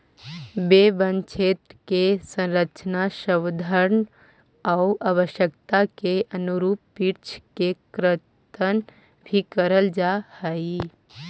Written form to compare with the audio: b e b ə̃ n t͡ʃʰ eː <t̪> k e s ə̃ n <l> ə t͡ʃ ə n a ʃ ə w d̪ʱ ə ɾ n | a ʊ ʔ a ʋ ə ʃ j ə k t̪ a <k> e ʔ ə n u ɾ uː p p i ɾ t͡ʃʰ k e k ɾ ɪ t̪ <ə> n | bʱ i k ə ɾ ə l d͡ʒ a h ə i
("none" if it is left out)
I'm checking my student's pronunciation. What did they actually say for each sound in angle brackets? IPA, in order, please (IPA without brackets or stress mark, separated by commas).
t̪, ɾ, k, ə